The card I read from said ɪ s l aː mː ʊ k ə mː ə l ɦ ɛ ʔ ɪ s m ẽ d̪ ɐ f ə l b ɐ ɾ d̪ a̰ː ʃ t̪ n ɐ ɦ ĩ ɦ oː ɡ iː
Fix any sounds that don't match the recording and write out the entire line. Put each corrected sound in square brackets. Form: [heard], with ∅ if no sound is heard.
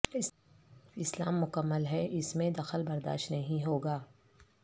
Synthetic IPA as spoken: ɪ s l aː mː ʊ k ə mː ə l ɦ ɛ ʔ ɪ s m ẽ d̪ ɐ [x] ə l b ɐ ɾ d̪ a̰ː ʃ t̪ n ɐ ɦ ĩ ɦ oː ɡ [aː]

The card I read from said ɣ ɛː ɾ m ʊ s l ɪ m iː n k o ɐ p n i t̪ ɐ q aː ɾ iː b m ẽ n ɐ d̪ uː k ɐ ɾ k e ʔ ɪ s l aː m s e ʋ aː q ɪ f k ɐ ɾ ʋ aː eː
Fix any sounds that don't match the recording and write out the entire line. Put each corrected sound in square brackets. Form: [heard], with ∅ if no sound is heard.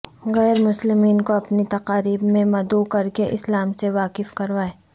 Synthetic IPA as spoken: ɣ ɛː ɾ m ʊ s l ɪ m iː n k o ɐ p n i t̪ ɐ q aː ɾ iː b m ẽ [m] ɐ d̪ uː k ɐ ɾ k e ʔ ɪ s l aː m s e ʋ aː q ɪ f k ɐ ɾ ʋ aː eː

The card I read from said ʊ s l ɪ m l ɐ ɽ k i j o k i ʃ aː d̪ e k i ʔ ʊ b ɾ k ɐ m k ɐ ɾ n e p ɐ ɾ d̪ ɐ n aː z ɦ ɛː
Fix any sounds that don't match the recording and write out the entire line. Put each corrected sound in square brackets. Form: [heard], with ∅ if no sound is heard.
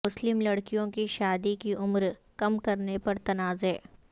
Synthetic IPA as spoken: ʊ s l ɪ m l ɐ ɽ k i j [õ] k i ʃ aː d̪ [i] k i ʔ ʊ [m] ɾ k ɐ m k ɐ ɾ n e p ɐ ɾ [t̪] ɐ n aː z ɦ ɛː

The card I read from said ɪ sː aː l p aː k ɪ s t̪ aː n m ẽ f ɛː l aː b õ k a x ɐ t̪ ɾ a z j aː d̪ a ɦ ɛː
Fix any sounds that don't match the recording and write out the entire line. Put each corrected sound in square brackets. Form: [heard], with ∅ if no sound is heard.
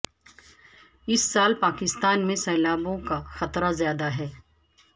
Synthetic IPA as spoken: ɪ sː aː l p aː k ɪ s t̪ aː n m ẽ [s] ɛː l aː b õ k a x ɐ t̪ ɾ a z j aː d̪ a ɦ ɛː

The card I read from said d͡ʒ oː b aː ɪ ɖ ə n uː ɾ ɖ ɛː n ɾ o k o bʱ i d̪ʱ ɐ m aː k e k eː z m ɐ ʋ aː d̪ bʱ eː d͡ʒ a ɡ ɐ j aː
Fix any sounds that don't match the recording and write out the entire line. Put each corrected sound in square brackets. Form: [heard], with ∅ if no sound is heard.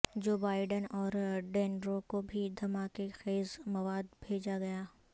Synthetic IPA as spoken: d͡ʒ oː b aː ɪ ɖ ə n [ɔː] ɾ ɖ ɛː n ɾ o k o bʱ i d̪ʱ ɐ m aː k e [x] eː z m ɐ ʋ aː d̪ bʱ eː d͡ʒ a ɡ ɐ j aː

